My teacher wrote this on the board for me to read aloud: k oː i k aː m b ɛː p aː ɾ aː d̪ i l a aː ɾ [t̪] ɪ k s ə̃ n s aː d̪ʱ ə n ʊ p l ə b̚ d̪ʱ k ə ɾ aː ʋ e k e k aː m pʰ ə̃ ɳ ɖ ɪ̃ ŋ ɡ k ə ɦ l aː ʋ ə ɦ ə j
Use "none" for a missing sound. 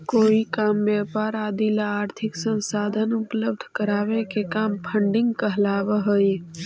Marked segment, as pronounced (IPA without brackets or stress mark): t̪ʰ